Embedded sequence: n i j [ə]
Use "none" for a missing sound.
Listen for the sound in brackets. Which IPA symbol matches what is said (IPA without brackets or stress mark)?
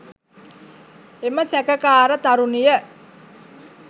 ə